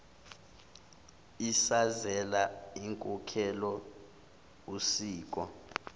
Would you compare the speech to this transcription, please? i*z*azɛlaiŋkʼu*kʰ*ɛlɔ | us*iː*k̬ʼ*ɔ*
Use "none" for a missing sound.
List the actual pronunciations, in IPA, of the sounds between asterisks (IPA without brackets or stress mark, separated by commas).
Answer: s, kʰ, iː, ɔ